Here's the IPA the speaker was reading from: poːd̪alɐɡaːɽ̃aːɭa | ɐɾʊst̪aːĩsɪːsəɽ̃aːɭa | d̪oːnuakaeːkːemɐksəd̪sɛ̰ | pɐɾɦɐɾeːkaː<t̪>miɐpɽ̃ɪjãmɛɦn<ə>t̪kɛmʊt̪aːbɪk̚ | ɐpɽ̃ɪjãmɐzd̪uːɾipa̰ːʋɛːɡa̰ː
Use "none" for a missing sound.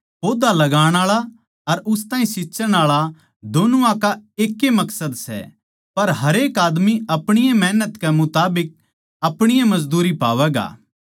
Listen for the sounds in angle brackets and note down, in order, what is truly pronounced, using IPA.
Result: d̪, ə

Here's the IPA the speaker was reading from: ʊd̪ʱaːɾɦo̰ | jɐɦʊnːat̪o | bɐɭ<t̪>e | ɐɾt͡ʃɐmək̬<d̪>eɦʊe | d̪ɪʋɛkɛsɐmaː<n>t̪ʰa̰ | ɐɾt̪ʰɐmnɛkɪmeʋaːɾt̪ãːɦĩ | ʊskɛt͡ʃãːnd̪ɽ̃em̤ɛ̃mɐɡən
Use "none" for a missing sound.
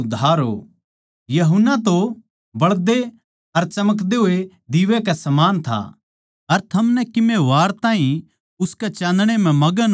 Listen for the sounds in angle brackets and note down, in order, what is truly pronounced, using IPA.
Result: d̪, d̪, n

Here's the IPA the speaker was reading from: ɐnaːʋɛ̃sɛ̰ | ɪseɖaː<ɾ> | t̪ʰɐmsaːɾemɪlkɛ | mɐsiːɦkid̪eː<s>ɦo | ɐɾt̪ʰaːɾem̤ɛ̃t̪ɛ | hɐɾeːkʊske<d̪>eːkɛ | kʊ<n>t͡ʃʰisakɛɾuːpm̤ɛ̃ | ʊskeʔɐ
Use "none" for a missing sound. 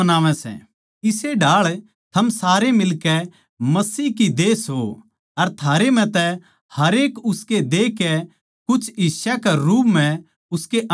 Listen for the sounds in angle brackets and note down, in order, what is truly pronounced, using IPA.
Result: ɭ, s, d̪, none

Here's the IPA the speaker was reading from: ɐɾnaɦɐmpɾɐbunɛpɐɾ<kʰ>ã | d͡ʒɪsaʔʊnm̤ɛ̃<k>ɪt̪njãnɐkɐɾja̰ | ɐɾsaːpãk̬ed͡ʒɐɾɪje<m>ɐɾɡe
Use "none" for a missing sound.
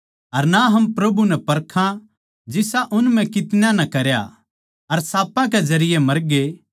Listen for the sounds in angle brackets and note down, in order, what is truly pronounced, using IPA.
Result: kʰ, k, m

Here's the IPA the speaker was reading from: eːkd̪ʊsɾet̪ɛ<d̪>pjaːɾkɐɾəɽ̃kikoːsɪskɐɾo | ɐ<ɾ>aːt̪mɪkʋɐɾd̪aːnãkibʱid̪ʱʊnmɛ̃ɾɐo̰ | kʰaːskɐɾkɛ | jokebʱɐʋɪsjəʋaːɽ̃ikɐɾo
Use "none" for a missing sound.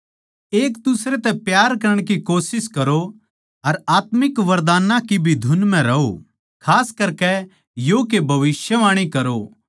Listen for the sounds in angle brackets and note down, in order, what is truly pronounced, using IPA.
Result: none, ɾ

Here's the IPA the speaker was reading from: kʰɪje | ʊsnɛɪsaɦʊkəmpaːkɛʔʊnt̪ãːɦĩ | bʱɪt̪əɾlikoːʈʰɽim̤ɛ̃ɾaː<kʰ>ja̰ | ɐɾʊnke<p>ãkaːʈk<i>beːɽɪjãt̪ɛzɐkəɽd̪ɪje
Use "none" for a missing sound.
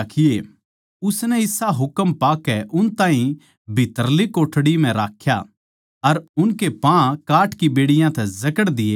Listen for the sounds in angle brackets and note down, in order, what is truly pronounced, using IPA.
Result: kʰ, p, i

